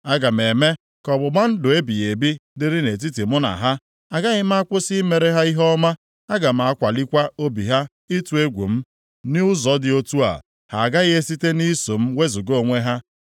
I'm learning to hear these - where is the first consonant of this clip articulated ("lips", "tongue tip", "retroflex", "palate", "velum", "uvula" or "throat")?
velum